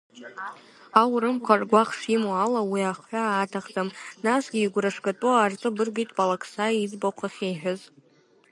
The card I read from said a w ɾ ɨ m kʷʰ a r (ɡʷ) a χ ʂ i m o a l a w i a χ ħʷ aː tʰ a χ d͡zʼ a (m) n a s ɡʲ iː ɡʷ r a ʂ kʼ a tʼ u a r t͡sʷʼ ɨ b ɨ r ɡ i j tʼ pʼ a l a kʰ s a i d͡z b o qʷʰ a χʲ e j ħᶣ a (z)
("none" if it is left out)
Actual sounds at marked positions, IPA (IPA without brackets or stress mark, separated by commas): ɡʷ, m, z